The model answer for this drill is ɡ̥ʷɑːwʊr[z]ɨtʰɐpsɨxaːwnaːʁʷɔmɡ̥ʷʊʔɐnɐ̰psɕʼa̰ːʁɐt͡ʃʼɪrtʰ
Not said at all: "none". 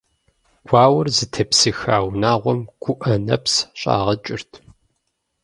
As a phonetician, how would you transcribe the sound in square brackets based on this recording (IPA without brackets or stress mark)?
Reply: z